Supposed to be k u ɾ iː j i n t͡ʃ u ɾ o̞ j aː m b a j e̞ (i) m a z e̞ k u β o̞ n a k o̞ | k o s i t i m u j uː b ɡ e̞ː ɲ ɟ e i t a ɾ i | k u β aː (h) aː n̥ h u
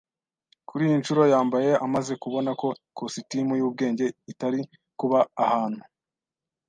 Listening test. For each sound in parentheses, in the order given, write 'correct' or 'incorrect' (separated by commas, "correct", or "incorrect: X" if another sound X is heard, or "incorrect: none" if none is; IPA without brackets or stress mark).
incorrect: a, correct